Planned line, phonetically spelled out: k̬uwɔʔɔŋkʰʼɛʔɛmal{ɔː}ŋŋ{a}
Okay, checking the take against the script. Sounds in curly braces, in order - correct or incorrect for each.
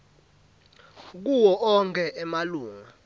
incorrect, correct

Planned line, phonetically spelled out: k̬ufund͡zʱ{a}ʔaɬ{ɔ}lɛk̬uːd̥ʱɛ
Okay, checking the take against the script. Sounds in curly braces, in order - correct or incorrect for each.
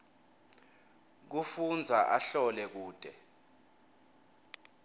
correct, correct

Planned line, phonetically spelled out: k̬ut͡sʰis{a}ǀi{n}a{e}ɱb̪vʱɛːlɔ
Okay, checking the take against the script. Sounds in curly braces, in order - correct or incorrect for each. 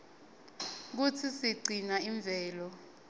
incorrect, correct, incorrect

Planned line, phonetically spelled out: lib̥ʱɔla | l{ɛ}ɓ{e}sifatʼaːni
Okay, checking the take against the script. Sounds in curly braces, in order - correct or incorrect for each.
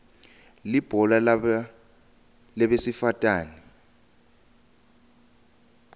correct, correct

